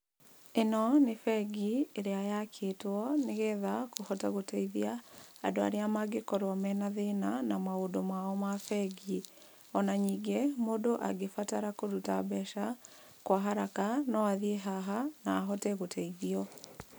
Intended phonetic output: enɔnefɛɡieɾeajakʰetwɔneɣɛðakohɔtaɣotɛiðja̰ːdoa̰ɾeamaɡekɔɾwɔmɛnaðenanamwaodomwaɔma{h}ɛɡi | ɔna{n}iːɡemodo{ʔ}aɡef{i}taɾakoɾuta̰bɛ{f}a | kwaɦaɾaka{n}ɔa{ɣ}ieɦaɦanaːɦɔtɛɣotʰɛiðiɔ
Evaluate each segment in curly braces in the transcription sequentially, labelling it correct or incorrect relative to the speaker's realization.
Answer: incorrect: f, incorrect: ɲ, correct, incorrect: a, incorrect: ʃ, correct, incorrect: ð

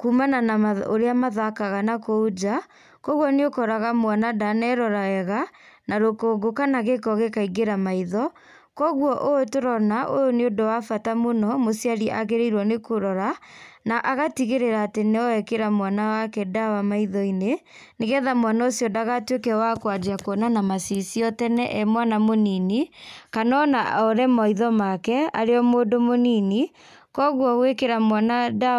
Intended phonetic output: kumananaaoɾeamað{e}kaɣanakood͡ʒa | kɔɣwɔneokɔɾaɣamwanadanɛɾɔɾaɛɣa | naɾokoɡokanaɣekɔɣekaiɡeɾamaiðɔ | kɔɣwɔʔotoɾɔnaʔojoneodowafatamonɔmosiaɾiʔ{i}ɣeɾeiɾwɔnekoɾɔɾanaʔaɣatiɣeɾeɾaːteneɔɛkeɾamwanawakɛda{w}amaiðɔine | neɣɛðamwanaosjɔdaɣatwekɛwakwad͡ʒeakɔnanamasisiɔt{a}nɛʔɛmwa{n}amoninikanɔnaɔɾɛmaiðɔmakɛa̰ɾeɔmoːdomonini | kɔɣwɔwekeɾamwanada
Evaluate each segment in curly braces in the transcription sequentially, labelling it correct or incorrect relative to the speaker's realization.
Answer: incorrect: a, incorrect: a, correct, incorrect: ɛ, correct

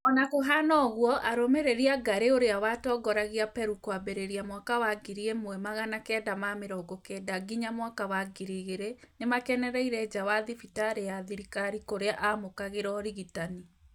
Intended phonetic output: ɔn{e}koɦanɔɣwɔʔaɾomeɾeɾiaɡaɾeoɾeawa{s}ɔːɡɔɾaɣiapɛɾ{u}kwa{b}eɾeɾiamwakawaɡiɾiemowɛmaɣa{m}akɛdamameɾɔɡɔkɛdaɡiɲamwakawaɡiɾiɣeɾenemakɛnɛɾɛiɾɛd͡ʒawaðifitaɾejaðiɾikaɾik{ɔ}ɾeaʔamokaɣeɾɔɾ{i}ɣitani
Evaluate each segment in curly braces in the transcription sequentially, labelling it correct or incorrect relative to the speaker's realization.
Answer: incorrect: a, incorrect: t, correct, correct, incorrect: n, incorrect: o, correct

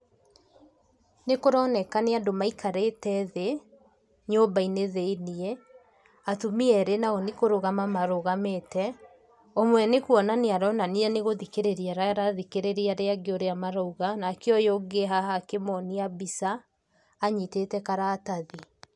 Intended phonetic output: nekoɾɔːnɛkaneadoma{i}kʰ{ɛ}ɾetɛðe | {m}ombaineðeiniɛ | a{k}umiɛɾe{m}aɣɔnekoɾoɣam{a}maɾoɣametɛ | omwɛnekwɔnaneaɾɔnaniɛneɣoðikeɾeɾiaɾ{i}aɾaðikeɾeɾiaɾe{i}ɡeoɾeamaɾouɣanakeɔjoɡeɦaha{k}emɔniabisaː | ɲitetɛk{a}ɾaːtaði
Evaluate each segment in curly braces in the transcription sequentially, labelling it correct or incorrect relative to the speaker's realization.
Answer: correct, incorrect: a, incorrect: ɲ, incorrect: t, incorrect: n, correct, incorrect: a, incorrect: a, correct, correct

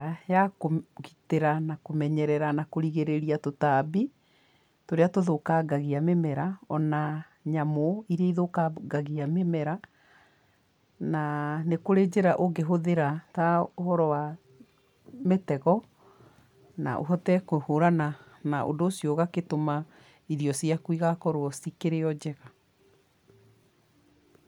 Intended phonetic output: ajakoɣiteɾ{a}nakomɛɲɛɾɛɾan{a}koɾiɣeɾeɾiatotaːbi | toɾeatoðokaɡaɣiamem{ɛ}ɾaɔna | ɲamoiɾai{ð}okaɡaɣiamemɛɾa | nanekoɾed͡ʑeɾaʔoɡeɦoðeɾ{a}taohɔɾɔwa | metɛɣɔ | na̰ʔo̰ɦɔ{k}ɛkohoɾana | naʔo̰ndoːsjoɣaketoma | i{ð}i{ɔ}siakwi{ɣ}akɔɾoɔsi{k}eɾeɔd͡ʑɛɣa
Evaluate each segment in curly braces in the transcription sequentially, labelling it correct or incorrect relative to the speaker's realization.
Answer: correct, correct, correct, correct, correct, incorrect: t, correct, correct, correct, correct

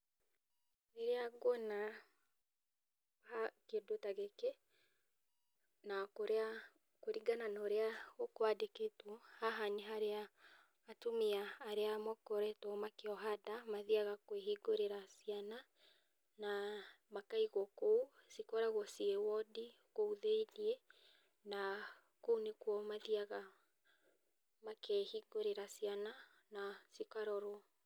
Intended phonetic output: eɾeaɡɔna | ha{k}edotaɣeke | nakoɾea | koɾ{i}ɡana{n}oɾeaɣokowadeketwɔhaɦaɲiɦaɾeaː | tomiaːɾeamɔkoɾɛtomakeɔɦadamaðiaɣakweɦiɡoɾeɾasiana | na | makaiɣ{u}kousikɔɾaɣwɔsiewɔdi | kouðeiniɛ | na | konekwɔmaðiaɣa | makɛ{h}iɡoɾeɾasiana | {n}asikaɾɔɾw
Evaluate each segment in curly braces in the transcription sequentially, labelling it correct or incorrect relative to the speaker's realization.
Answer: correct, correct, correct, incorrect: ɔ, correct, correct

